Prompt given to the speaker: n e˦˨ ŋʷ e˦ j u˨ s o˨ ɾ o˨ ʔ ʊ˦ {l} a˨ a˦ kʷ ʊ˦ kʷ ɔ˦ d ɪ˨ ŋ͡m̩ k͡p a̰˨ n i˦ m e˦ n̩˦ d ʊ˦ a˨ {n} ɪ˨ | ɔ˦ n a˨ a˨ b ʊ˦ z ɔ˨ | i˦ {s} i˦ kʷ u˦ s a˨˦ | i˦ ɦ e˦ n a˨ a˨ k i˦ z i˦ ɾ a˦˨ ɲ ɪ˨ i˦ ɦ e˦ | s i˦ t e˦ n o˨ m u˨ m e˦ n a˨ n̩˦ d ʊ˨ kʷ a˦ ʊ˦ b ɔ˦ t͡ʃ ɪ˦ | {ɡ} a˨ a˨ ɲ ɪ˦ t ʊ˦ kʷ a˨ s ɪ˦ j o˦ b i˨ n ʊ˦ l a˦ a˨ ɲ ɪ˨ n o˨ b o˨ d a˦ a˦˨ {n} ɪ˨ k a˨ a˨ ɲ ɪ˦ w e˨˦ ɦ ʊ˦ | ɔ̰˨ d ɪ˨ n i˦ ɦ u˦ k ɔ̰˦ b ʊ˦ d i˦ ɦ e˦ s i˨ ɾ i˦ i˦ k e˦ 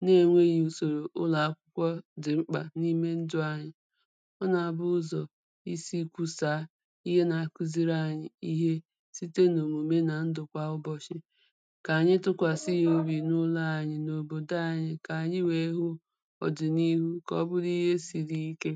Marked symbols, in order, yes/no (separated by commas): yes, no, yes, no, no